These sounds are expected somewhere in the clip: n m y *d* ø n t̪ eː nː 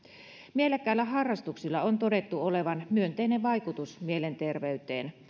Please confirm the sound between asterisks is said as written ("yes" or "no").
no